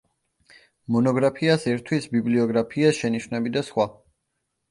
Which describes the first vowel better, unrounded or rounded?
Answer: rounded